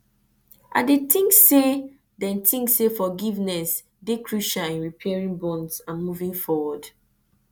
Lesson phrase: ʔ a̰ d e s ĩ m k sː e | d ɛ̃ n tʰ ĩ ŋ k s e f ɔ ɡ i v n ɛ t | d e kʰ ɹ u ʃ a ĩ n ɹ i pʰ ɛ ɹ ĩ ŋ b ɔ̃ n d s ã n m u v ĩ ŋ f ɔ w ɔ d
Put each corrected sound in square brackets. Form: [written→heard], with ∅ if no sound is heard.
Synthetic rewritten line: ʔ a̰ d e [s→t] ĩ [m→ŋ] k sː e | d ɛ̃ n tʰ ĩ ŋ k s e f ɔ ɡ i v n ɛ [t→s] | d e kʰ ɹ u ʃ a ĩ n ɹ i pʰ ɛ ɹ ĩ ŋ b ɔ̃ n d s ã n m u v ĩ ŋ f ɔ w ɔ d